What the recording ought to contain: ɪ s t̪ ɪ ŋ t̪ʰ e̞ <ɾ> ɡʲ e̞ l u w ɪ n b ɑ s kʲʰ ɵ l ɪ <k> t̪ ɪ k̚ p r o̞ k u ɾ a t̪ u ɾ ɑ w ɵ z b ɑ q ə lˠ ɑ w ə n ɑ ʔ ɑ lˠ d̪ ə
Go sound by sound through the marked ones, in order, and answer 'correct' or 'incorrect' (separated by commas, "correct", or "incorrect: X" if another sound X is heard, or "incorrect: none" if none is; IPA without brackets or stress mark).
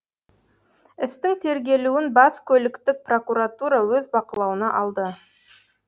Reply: correct, correct